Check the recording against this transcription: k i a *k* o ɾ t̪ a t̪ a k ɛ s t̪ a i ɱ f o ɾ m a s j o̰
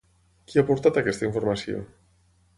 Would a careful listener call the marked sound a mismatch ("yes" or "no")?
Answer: yes